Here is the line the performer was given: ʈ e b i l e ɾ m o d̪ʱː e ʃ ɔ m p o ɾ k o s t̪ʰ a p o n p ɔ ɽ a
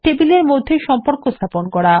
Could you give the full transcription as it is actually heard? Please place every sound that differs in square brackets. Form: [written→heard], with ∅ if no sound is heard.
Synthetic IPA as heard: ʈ e b i l e ɾ m o d̪ʱː e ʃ ɔ m p o ɾ k o s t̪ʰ a p o n [p→k] ɔ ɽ a